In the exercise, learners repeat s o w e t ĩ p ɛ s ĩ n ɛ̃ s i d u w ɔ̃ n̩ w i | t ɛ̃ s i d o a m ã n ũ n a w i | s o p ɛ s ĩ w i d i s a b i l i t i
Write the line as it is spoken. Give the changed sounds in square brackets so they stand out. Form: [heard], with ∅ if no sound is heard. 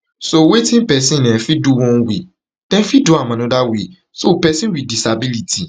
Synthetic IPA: s o w e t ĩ p ɛ s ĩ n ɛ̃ [f] i d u w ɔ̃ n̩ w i | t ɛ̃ [f] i d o a m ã n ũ [d] a w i | s o p ɛ s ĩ w i d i s a b i l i t i

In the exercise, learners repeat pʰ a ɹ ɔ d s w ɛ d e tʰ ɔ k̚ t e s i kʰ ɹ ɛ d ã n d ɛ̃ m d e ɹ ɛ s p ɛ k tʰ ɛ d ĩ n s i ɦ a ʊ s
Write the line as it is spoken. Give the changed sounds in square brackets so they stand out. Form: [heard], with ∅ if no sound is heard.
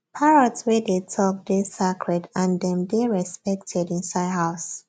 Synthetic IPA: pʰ a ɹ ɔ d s w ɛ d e tʰ ɔ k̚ [d] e s [a] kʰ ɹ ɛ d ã n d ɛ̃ m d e ɹ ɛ s p ɛ k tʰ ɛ d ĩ n s [a] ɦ a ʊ s

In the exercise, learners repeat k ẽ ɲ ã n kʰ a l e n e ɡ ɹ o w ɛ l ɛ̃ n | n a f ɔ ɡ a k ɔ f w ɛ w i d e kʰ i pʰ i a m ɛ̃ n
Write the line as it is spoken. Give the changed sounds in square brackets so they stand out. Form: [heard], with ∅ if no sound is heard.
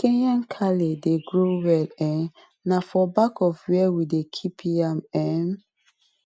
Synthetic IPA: k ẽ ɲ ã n kʰ a l e [d] e ɡ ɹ o w ɛ l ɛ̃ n | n a f ɔ [b] a k ɔ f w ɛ w i d e kʰ i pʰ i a m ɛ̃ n

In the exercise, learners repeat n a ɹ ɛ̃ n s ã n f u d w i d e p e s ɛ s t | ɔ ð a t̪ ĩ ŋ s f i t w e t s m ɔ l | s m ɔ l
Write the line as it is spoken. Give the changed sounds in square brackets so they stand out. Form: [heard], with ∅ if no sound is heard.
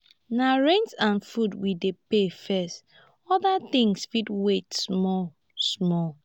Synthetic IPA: n a ɹ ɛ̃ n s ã n f u d w i d e p e [f] ɛ s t | ɔ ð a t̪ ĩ ŋ s f i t w e t s m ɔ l | s m ɔ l

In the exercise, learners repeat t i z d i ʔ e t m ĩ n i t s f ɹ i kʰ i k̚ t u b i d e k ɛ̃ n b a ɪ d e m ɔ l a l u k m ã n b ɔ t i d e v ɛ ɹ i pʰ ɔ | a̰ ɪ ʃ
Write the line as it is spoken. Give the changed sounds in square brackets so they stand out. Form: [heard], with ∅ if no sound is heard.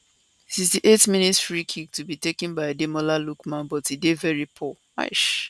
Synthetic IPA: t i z d i ʔ e t m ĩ n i t s f ɹ i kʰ i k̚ t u b i [t] e k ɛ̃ n b a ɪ d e m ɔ l a l u k m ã n b ɔ t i d e v ɛ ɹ i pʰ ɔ | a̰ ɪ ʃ

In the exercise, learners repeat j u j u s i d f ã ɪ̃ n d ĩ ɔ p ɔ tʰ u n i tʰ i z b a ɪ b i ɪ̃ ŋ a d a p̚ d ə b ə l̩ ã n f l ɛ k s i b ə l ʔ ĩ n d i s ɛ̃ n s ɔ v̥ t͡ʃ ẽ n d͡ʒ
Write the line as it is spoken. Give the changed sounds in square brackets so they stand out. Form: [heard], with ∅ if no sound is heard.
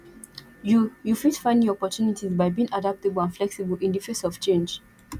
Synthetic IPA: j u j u [f] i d f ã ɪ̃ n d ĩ ɔ p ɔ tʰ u n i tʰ i z b a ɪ b i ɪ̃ ŋ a d a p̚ [t] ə b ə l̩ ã n f l ɛ k s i b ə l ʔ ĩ n d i [f] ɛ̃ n s ɔ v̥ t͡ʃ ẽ n d͡ʒ

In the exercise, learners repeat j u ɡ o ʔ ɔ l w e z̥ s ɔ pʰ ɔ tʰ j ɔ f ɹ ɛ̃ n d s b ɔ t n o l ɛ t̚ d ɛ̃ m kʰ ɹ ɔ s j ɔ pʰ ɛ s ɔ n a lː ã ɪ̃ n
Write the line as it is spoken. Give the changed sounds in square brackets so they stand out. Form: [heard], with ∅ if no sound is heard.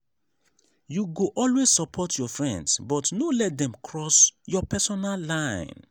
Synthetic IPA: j u ɡ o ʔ ɔ l w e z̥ s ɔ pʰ ɔ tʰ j ɔ f ɹ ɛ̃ n d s b ɔ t n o l ɛ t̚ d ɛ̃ m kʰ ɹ ɔ s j ɔ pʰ ɛ s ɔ n a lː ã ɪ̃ n

